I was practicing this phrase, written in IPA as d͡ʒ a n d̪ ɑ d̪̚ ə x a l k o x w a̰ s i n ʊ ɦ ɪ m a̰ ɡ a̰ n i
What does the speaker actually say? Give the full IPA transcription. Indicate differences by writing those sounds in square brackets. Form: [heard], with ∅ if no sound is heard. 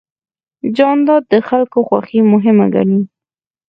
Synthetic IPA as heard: d͡ʒ [ɑ] n d̪ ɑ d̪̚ ə x a l k o x w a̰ [x] i [m] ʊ ɦ ɪ m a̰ ɡ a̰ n i